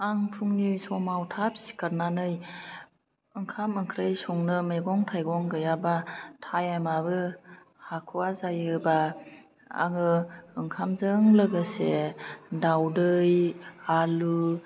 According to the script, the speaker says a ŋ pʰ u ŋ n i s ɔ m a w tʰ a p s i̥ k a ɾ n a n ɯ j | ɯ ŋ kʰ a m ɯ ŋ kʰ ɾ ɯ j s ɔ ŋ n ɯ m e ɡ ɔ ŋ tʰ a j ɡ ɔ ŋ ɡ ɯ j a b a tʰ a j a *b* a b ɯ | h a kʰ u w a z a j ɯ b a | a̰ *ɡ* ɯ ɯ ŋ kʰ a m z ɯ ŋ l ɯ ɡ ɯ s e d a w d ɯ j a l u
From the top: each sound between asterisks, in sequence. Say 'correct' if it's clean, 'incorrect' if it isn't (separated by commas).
incorrect, incorrect